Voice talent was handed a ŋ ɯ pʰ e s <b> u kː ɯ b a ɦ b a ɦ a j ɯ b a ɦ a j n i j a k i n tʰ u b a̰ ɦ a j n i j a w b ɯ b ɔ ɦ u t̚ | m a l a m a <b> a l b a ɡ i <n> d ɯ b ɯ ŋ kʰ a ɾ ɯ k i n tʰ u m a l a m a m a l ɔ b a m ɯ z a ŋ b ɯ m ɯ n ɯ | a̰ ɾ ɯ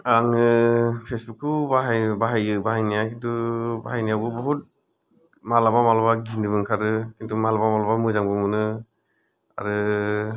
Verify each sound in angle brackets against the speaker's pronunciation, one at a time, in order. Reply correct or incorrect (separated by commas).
correct, incorrect, correct